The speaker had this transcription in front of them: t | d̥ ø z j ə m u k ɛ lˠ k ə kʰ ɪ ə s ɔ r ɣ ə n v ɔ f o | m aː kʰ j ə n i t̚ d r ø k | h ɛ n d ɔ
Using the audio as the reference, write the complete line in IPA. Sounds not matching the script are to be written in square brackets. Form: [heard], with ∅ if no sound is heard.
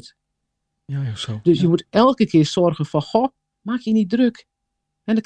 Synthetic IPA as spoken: t | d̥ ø [s] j ə m u [t] ɛ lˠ k ə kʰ ɪ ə s ɔ r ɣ ə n [f] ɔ [x] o | m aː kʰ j ə n i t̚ d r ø k | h ɛ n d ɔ